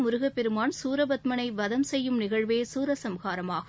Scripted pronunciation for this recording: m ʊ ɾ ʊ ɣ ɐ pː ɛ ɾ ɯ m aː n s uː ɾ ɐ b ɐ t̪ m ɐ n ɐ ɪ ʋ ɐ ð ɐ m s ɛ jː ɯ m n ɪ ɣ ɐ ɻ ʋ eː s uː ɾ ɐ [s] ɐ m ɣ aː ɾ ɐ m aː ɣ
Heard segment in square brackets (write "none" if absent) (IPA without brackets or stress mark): s